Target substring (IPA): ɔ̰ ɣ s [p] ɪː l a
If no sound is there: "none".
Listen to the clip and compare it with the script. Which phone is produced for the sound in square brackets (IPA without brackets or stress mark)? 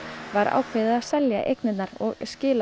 c